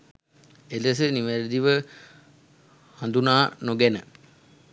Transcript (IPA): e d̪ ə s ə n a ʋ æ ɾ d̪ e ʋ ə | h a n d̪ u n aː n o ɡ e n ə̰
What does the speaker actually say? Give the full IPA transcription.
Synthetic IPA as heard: e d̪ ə s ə n i ʋ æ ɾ d̪ i ʋ ə | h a n d̪ u n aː n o ɡ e n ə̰